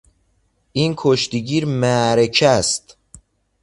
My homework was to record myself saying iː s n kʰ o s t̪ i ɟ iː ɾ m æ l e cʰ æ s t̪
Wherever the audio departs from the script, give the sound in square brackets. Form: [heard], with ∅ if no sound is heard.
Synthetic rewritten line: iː [∅] n kʰ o [ʃ] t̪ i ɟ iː ɾ m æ [ɾ] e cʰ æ s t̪